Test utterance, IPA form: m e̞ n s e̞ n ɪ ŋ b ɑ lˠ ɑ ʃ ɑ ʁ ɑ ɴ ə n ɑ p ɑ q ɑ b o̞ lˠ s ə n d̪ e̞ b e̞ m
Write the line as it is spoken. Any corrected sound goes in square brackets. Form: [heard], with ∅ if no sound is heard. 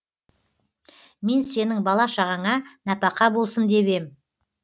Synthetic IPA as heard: m e̞ n s e̞ n ɪ ŋ b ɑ lˠ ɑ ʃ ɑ ʁ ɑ ɴ [ɑ] n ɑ p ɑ q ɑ b o̞ lˠ s ə n d̪ e̞ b e̞ m